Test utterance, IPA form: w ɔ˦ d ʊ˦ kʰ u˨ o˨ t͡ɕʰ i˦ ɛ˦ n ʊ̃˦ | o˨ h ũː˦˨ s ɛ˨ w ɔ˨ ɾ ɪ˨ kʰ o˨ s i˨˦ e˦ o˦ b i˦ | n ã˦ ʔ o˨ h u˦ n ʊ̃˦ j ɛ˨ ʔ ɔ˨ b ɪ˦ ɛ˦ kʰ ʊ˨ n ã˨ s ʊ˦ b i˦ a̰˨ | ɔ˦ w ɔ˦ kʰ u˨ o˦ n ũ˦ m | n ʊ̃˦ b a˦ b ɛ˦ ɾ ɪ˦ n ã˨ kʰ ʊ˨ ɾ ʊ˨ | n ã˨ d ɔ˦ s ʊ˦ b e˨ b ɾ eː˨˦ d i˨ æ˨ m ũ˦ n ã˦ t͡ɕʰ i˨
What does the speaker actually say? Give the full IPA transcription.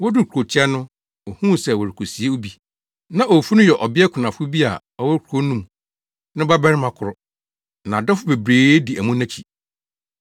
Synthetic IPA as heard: w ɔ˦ d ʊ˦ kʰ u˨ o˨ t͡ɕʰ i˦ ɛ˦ n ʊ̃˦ | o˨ h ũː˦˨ s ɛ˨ w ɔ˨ ɾ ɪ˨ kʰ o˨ s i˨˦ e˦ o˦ b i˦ | n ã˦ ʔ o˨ f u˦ n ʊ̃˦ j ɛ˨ ʔ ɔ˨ b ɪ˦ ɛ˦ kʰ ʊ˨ n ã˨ f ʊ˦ b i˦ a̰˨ | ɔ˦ w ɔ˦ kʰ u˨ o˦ n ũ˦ m | n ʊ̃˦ b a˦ b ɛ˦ ɾ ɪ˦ m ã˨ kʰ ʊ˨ ɾ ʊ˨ | n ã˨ d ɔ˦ f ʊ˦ b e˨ b ɾ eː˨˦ d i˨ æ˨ m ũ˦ n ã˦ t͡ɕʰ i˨